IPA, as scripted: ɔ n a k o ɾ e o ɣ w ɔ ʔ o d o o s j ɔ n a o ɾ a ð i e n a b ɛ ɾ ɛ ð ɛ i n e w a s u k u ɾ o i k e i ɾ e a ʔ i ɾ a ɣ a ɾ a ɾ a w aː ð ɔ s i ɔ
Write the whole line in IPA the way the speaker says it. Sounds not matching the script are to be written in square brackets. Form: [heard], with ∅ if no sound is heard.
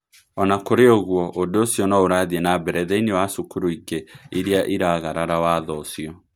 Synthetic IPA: ɔ n a k o ɾ e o ɣ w ɔ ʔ o d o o s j ɔ n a o ɾ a ð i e n a b ɛ ɾ ɛ ð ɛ i n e w a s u k u ɾ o i k e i ɾ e a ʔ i ɾ a ɣ a ɾ a ɾ a w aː ð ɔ s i ɔ